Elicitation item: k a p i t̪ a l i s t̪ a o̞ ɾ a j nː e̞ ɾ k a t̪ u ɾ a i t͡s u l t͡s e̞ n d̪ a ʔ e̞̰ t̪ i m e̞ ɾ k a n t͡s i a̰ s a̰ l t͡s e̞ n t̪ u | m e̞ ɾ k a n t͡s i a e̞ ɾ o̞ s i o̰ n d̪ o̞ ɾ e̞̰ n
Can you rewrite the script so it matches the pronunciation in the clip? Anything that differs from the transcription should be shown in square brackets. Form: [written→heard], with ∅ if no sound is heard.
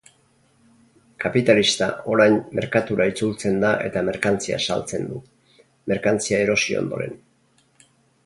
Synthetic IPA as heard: k a p i t̪ a l i s t̪ a o̞ ɾ a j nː e̞ ɾ k a t̪ u ɾ a i t͡s u l t͡s e̞ n d̪ a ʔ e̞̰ t̪ [i→a] m e̞ ɾ k a n t͡s i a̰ s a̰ l t͡s e̞ n [t̪→d̪] u | m e̞ ɾ k a n t͡s i a e̞ ɾ o̞ s i o̰ n d̪ o̞ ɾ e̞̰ n